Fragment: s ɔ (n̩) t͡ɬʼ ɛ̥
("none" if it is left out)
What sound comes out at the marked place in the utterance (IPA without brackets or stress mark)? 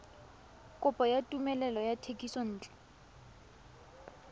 n̩ː